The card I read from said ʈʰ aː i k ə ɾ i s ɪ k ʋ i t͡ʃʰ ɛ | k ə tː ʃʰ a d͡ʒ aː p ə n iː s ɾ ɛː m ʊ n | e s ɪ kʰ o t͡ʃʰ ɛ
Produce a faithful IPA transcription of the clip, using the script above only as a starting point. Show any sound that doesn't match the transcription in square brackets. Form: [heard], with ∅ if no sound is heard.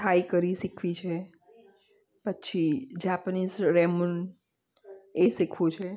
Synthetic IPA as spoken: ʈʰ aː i k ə ɾ i s ɪ [kʰ] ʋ i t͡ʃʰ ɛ | [p] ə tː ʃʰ [i] d͡ʒ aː p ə n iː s ɾ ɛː m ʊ n | e s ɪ kʰ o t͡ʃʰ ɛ